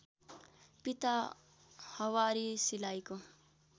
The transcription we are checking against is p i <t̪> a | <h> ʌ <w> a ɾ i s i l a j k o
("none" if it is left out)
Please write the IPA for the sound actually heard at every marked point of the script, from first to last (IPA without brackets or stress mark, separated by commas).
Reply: t̪, h, w